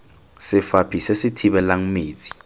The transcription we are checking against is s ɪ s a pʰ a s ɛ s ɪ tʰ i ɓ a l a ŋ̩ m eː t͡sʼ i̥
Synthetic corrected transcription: s ɪ f a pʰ i s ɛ s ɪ tʰ i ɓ ɛ l a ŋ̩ m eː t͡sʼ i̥

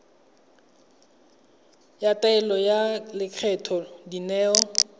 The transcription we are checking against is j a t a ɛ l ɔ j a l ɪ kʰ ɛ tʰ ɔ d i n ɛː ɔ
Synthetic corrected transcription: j a t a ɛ l ɔ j a l ɪ kʰ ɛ tʰ ɔ d i n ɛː ɔ

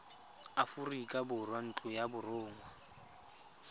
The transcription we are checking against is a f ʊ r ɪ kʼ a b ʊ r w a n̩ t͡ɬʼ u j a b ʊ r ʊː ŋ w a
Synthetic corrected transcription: a f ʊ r i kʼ a b ʊ r w a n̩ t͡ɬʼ ʊ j a b ʊ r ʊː ŋ w a

